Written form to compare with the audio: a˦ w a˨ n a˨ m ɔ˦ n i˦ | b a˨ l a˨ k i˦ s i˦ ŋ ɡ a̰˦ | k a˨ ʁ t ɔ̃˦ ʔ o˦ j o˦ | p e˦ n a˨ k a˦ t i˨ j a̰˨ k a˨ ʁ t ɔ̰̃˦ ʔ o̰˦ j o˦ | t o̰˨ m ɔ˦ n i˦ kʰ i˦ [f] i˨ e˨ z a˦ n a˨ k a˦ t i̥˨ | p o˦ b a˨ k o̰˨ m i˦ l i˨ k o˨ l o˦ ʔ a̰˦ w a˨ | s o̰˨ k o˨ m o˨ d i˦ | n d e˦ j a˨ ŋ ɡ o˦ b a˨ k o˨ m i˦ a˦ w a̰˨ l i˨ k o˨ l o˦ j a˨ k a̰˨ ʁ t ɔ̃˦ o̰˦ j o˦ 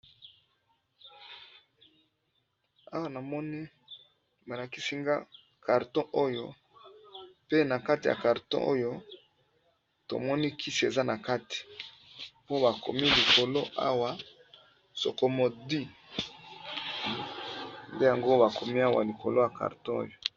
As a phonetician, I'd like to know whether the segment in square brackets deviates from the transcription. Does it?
yes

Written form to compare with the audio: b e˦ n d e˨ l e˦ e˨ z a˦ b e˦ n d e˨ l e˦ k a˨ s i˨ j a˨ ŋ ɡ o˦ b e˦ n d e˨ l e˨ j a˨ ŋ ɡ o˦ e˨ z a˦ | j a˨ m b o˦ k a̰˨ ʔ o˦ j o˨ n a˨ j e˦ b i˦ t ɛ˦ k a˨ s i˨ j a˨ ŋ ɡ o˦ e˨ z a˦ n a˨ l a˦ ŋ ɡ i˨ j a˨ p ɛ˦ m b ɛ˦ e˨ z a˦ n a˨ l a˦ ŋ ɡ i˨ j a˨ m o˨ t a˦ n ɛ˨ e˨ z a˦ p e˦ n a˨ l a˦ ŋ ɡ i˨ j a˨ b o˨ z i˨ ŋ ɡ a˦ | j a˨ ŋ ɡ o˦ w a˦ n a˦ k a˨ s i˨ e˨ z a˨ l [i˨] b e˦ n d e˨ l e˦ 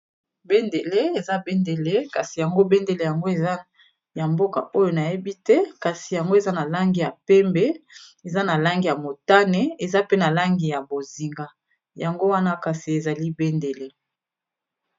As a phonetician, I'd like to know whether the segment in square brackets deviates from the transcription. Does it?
yes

